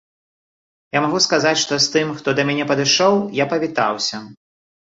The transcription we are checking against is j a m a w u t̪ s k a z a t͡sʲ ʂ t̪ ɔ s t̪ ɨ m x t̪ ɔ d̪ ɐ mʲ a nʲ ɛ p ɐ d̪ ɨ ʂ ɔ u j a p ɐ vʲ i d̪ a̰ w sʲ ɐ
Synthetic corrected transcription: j a m a ɣ u s k a z a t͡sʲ ʂ t̪ ɔ s t̪ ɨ m x t̪ ɔ d̪ ɐ mʲ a nʲ ɛ p ɐ d̪ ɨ ʂ ɔ w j a p ɐ vʲ i t̪ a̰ w sʲ ɐ

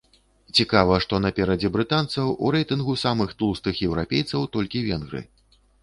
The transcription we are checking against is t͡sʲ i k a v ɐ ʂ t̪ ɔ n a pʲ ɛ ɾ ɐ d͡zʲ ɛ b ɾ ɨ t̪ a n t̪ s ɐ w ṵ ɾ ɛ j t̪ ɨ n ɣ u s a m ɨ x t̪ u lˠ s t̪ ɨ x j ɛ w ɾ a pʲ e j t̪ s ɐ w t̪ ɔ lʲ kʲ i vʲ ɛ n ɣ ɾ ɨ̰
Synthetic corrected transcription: t͡sʲ i k a v ɐ ʂ t̪ ɔ n ɐ pʲ ɛ ɾ ɐ d͡zʲ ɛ b ɾ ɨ t̪ a n t̪ s ɐ w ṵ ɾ ɛ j t̪ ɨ n ɣ u s a m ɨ x t̪ u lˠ s t̪ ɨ x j ɛ w ɾ a pʲ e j t̪ s ɐ w t̪ ɔ lʲ kʲ i vʲ ɛ n ɣ ɾ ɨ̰

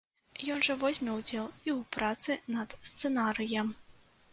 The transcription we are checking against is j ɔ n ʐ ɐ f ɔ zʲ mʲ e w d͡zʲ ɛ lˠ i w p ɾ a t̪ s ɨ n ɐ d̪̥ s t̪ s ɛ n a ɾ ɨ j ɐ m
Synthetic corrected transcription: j ɔ n ʐ ɐ v ɔ zʲ mʲ ɛ w d͡zʲ ɛ lˠ i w p ɾ a t̪ s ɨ n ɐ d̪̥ s t̪ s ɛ n a ɾ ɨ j ɐ m

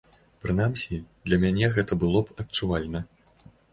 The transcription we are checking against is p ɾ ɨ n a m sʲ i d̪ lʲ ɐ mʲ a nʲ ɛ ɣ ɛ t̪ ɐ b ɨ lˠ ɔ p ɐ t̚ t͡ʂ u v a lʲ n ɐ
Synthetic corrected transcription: p ɾ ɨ n a m sʲ i d̪ lʲ ɐ mʲ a nʲ ɛ ɣ ɛ t̪ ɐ b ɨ lˠ ɔ p ɐ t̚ t͡ʂ u v a lʲ n ɐ

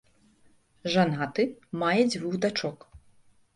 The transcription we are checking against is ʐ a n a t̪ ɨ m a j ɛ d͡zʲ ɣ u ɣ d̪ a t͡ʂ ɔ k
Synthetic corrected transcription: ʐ a n a t̪ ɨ m a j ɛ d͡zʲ v u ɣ d̪ a t͡ʂ ɔ k

